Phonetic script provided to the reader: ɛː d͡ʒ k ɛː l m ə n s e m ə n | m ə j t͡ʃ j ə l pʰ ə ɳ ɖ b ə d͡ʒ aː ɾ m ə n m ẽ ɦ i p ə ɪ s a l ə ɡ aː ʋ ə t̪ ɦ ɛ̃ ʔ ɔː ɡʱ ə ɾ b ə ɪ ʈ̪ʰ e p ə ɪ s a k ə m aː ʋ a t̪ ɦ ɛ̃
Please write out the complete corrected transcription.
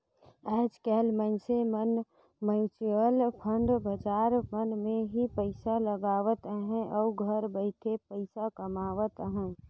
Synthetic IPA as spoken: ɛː d͡ʒ k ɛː l m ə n s e m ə n | m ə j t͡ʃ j ə l pʰ ə ɳ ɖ b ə d͡ʒ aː ɾ m ə n m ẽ ɦ i p ə ɪ s a l ə ɡ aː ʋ ə t̪ ɦ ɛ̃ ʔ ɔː ɡʱ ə ɾ b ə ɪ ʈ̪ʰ e p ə ɪ s a k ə m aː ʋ ə t̪ ɦ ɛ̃

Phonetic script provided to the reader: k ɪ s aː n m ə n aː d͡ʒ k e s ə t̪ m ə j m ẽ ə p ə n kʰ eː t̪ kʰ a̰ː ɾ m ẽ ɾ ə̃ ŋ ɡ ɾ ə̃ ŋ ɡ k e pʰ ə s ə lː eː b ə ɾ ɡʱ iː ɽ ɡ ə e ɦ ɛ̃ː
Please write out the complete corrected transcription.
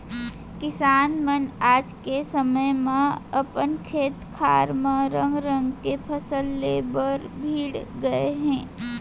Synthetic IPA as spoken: k ɪ s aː n m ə n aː d͡ʒ k e s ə m ə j m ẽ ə p ə n kʰ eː t̪ kʰ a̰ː ɾ m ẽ ɾ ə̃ ŋ ɡ ɾ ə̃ ŋ ɡ k e pʰ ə s ə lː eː b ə ɾ bʱ iː ɽ ɡ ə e ɦ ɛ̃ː

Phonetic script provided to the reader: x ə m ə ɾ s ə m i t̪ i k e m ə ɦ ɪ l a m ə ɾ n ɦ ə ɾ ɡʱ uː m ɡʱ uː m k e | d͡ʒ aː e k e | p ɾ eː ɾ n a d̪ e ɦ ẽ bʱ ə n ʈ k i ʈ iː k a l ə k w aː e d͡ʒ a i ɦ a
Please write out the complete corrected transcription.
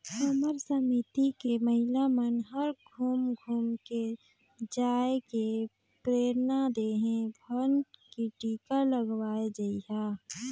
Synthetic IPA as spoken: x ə m ə ɾ s ə m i t̪ i k e m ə ɦ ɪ l a m ə n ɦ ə ɾ ɡʱ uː m ɡʱ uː m k e | d͡ʒ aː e k e | p ɾ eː ɾ n a d̪ e ɦ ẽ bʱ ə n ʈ k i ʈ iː k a l ə ɡ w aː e d͡ʒ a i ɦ a

